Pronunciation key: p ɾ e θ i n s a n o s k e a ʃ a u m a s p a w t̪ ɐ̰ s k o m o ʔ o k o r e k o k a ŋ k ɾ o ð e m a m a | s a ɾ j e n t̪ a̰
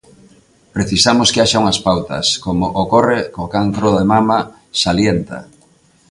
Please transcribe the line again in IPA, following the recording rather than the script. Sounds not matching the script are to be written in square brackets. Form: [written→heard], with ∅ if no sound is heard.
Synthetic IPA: p ɾ e θ i [n→∅] s a [n→m] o s k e a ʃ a u [m→ŋ] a s p a w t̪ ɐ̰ s k o m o ʔ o k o r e k o k a ŋ k ɾ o ð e m a m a | s a [ɾ→l] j e n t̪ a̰